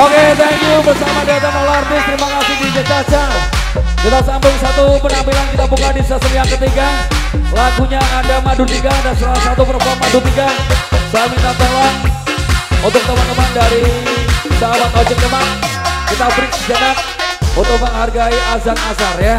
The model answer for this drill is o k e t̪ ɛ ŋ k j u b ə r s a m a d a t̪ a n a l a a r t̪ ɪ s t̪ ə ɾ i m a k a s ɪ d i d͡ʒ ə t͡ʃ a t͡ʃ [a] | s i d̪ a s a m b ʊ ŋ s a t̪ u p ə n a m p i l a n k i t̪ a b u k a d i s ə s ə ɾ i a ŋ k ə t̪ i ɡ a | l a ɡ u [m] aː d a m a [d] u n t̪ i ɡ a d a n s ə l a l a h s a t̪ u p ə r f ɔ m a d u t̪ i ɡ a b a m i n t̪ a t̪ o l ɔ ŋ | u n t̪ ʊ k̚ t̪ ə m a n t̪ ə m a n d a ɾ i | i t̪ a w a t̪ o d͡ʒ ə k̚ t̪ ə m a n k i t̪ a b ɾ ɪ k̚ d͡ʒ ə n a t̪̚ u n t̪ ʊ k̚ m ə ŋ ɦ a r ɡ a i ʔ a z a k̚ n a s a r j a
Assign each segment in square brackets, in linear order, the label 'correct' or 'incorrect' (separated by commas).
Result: correct, incorrect, correct